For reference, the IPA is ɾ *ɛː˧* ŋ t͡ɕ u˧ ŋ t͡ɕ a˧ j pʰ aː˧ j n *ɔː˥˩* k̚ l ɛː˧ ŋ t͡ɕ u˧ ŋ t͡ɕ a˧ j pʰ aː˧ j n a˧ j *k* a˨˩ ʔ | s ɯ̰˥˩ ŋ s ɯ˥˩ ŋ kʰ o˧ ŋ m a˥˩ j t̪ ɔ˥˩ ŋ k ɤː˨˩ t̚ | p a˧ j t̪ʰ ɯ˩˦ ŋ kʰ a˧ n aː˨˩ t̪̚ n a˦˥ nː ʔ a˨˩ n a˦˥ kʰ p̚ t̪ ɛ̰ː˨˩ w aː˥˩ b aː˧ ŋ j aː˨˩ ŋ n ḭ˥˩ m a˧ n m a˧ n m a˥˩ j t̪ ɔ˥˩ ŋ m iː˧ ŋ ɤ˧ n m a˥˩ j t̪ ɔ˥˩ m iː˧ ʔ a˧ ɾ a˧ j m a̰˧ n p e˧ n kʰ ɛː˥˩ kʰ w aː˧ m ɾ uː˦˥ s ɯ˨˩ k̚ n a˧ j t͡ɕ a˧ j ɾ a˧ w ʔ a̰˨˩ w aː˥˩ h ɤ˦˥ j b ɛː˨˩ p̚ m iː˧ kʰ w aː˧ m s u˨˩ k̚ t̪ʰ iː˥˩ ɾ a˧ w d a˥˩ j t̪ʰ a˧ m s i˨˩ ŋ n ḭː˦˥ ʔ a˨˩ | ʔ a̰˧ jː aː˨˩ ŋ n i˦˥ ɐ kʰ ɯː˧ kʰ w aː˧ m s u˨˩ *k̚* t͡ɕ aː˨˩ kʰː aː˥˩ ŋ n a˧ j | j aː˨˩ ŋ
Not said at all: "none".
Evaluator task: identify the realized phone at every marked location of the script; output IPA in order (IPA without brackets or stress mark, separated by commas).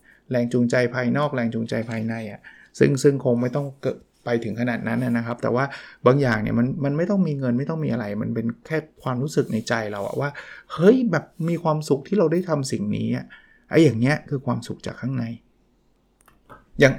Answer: ɛː˧, ɔː˥˩, ʔ, k̚